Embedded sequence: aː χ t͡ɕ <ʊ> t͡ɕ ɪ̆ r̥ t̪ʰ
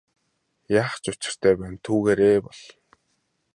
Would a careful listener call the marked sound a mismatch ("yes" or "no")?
no